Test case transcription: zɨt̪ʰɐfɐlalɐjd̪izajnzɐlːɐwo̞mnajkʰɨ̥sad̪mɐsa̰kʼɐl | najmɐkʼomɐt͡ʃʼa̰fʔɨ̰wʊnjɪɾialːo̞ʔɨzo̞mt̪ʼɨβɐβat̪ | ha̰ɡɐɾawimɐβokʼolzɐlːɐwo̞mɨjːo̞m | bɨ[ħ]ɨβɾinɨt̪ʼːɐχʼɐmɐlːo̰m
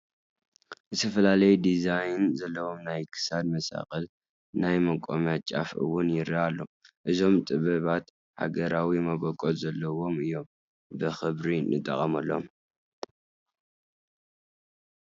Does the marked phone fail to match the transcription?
yes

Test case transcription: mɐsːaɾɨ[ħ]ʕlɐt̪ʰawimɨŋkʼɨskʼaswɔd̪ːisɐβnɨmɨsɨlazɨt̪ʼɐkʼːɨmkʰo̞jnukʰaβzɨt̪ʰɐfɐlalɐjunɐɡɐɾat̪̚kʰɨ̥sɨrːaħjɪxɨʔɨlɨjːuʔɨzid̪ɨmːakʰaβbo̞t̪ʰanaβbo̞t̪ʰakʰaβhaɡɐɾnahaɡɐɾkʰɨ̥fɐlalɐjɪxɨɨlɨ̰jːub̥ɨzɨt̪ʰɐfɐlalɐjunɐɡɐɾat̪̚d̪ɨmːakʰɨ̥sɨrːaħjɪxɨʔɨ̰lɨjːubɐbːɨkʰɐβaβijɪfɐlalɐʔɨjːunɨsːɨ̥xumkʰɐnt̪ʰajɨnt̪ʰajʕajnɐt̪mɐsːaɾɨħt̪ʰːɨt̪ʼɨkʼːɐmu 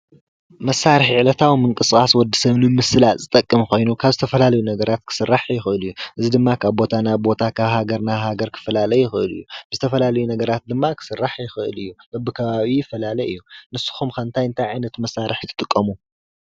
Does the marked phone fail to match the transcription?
no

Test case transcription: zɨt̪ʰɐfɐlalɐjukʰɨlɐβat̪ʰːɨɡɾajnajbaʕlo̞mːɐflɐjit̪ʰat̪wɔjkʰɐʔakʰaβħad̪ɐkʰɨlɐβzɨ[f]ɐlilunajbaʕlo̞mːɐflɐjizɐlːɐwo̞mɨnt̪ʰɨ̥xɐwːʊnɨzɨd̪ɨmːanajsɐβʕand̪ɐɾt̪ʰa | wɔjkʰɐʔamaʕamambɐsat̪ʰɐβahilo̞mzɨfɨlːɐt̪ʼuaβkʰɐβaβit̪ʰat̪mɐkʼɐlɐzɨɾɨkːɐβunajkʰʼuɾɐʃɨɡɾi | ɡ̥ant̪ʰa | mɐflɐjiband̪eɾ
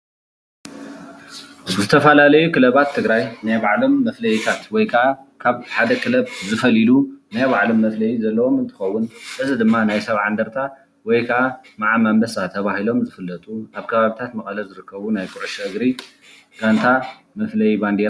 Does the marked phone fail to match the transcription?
no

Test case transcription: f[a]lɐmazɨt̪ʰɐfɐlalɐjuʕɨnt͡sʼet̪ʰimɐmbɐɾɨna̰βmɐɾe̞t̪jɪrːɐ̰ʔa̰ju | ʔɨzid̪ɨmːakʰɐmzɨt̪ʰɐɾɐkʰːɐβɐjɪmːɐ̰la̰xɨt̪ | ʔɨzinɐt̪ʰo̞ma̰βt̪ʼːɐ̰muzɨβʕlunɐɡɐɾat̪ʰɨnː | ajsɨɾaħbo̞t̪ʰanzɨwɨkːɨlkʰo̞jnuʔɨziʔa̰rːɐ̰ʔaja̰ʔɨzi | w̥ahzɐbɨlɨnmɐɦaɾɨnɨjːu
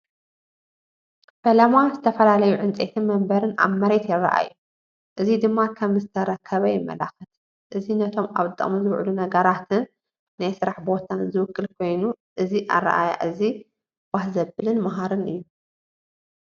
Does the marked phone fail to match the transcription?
yes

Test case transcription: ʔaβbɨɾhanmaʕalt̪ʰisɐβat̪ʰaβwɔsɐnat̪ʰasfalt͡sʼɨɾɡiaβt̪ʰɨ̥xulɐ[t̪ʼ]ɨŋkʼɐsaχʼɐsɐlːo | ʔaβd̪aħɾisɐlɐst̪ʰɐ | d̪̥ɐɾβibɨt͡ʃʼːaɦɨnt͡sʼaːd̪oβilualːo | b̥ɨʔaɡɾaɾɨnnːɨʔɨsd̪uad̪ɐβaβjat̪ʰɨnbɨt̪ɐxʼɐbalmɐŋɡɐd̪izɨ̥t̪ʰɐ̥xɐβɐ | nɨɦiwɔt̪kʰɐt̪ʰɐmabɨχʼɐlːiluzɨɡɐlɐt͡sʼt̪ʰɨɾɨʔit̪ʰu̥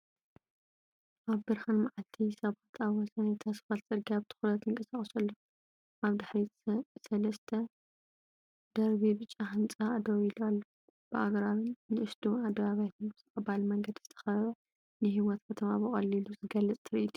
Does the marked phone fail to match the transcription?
yes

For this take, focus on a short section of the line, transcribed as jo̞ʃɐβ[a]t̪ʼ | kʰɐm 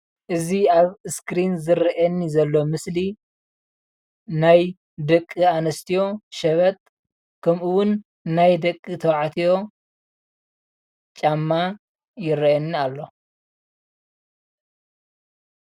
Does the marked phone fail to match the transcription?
yes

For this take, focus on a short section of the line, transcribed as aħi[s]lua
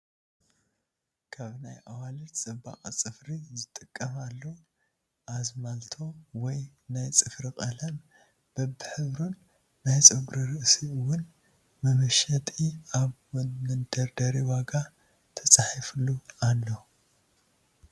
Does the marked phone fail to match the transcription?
yes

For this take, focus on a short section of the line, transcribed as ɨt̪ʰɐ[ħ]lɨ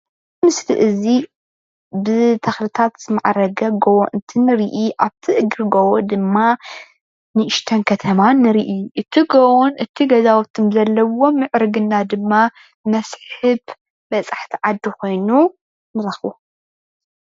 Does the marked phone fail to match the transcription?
yes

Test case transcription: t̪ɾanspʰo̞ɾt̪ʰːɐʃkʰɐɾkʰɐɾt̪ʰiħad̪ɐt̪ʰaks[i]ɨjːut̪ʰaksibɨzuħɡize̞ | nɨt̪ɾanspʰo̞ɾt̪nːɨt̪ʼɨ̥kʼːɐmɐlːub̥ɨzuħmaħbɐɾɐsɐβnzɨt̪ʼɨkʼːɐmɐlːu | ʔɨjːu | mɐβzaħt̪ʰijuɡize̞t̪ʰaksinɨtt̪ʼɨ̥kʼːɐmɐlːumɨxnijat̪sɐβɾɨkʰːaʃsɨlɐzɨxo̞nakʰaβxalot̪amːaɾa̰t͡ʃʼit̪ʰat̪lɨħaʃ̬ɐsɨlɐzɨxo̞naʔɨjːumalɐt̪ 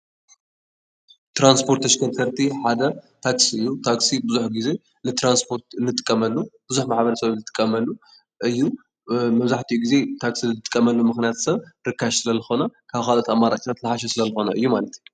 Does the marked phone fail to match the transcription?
no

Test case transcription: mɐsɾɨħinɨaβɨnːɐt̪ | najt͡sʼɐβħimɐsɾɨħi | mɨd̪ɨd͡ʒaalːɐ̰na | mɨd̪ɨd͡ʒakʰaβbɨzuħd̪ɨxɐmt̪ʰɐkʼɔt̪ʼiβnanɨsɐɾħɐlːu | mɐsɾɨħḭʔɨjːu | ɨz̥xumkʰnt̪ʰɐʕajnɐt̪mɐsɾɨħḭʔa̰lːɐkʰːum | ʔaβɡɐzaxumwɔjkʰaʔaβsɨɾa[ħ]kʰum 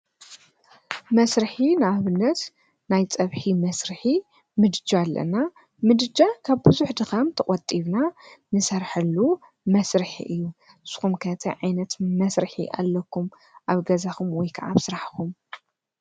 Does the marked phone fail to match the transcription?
no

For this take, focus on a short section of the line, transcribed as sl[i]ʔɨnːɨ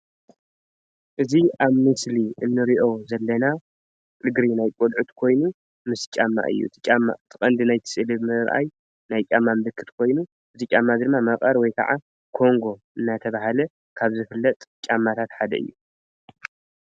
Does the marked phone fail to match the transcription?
no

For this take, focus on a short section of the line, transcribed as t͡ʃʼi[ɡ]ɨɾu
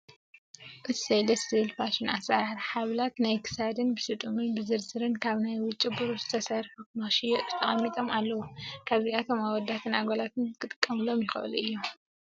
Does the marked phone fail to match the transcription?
yes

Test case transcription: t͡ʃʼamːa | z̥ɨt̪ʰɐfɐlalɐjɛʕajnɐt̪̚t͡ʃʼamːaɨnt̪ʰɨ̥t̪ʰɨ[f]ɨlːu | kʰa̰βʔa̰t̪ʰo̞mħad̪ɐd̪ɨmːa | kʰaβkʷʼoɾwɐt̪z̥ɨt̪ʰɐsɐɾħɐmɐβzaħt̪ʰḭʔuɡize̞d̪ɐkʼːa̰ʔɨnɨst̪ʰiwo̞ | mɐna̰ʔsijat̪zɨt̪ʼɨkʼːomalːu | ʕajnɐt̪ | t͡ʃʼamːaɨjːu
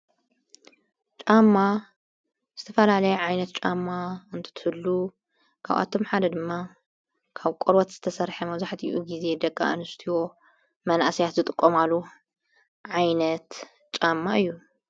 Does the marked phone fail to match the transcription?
yes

